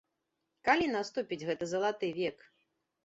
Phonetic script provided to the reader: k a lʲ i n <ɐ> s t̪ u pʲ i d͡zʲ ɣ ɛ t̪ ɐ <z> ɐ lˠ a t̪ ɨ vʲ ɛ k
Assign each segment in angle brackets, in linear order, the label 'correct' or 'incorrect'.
incorrect, correct

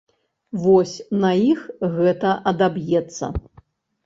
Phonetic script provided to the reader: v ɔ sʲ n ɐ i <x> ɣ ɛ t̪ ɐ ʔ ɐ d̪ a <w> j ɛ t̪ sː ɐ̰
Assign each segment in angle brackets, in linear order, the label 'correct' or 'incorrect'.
correct, incorrect

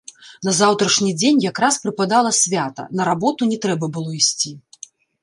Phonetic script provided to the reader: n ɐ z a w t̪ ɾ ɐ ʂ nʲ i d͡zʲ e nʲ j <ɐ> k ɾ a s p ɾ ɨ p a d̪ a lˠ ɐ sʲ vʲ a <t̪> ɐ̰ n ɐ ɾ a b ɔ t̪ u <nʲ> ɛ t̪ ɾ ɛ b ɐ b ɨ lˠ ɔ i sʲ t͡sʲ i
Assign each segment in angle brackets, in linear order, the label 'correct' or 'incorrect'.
incorrect, correct, correct

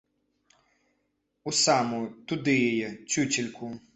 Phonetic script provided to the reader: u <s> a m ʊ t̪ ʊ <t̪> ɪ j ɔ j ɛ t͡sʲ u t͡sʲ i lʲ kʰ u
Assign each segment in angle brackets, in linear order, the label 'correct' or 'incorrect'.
correct, incorrect

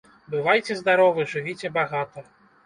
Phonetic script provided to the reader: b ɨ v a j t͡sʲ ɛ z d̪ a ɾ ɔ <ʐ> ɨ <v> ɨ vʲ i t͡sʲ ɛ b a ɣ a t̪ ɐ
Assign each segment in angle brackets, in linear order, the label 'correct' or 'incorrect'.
incorrect, incorrect

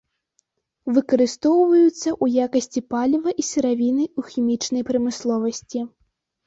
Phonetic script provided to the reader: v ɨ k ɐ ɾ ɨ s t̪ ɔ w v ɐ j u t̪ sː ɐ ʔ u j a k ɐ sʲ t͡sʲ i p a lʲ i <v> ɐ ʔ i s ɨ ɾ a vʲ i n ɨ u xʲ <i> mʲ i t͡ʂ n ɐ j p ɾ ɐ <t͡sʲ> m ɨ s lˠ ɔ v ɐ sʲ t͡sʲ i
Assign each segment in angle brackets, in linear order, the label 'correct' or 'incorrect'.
correct, correct, incorrect

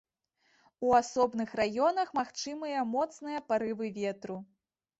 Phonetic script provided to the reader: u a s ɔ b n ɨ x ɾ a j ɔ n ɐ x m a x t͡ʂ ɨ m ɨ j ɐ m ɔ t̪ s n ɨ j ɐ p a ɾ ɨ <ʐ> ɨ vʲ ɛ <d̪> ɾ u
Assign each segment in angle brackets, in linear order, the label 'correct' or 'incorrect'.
incorrect, incorrect

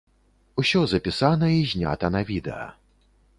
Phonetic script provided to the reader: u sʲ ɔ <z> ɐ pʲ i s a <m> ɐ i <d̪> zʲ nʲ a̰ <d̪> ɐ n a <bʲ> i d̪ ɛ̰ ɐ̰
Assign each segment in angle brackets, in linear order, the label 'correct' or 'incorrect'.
correct, incorrect, incorrect, incorrect, incorrect

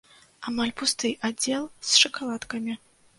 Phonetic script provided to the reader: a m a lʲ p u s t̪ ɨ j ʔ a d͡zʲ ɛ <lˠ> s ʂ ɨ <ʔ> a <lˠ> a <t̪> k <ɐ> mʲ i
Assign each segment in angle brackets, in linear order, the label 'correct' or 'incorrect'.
correct, incorrect, correct, correct, correct

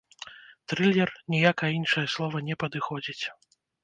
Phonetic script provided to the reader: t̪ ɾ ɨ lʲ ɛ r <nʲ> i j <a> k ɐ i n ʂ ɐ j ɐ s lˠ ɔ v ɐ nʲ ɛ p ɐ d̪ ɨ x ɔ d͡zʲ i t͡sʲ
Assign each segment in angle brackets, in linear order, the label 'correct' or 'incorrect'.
correct, correct

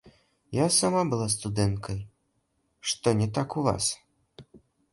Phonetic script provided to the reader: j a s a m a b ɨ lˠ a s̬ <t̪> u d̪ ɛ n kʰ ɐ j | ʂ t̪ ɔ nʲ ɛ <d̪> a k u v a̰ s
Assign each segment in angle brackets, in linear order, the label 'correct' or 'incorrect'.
correct, incorrect

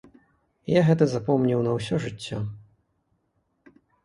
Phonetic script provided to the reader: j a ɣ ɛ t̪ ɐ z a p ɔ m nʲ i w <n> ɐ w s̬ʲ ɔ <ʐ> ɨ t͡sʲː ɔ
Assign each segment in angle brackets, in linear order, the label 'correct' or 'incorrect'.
correct, correct

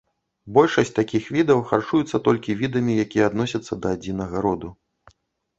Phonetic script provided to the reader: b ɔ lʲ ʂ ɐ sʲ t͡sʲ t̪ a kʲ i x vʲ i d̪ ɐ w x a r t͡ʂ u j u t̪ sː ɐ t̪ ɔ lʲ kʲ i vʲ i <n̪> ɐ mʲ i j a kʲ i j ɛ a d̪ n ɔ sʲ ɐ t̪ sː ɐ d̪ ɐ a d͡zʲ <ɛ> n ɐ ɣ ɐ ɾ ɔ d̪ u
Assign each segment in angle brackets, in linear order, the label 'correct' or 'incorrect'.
incorrect, incorrect

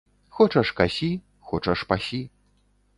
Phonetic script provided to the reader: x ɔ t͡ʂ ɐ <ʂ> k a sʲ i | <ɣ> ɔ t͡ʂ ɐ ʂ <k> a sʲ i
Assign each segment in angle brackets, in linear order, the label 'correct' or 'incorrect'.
correct, incorrect, incorrect

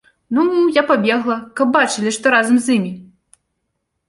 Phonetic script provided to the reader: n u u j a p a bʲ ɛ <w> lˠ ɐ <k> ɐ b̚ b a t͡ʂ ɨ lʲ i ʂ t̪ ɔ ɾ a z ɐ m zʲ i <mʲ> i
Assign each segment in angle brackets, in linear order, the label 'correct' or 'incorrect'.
incorrect, correct, correct

